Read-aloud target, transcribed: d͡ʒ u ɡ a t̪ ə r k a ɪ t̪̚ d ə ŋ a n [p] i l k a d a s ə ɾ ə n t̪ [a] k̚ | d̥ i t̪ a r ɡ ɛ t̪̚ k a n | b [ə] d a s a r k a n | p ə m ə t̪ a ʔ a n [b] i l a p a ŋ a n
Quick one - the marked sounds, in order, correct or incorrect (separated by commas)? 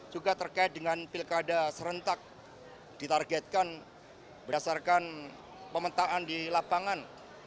correct, correct, correct, incorrect